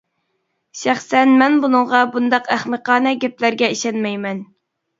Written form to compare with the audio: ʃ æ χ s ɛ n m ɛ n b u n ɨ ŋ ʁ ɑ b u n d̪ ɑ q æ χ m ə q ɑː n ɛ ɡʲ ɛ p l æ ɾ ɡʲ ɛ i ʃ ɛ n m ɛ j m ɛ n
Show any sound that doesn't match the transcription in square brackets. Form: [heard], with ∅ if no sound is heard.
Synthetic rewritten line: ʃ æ χ s ɛ n m ɛ n b u n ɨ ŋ ʁ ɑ b u n d̪ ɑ q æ χ m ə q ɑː n ɛ ɡʲ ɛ p l æ ɾ ɡʲ ɛ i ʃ ɛ n m ɛ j m ɛ n